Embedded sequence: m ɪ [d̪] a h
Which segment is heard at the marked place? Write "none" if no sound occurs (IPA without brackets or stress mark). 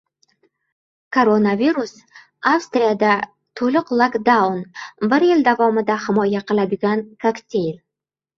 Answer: d̪